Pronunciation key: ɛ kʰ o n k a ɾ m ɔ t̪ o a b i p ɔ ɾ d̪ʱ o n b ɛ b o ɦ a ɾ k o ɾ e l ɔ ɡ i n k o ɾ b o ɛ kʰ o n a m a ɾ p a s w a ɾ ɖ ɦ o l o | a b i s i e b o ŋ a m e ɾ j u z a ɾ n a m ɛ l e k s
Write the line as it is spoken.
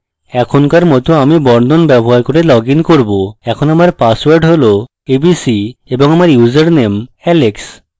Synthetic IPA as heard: ɛ kʰ o n k a ɾ m ɔ t̪ o a m i b ɔ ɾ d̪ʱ o n b ɛ b o ɦ a ɾ k o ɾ e l ɔ ɡ i n k o ɾ b o ɛ kʰ o n a m a ɾ p a s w a ɾ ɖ ɦ o l o | e b i s i e b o ŋ a m a ɾ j u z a ɾ n e m ɛ l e k s